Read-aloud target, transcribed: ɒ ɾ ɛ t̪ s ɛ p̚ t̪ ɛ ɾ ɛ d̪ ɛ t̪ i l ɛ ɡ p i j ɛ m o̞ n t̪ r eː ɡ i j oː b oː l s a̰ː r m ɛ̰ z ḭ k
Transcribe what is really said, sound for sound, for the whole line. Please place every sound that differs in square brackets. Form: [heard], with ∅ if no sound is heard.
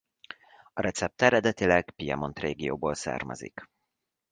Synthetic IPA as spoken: ɒ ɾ ɛ t̪ s ɛ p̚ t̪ ɛ ɾ ɛ d̪ ɛ t̪ i l ɛ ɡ p i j ɛ m o̞ n t̪ r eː ɡ i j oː b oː l s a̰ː r m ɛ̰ z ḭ k